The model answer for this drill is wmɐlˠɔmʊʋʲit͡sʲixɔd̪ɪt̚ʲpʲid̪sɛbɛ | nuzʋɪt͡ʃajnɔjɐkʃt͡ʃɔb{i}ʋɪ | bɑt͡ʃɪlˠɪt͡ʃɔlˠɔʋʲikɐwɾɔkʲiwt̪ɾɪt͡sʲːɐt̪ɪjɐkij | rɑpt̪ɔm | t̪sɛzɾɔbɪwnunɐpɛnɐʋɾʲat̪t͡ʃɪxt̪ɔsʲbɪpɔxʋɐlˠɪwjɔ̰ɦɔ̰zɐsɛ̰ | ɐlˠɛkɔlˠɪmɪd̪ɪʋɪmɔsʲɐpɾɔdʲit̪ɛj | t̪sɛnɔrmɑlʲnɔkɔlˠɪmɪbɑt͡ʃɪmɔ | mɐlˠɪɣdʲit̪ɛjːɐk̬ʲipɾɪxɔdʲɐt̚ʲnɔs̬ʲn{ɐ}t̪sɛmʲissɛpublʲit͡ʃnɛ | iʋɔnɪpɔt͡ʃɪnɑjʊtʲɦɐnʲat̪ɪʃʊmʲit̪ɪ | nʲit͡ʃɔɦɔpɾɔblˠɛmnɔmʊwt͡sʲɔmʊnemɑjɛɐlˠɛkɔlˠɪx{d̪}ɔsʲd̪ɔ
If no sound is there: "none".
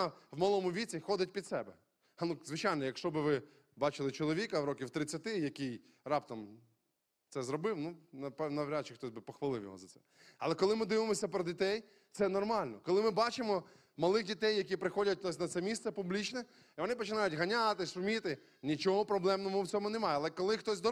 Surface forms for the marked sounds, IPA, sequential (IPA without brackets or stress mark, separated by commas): ɪ, ɐ, t̪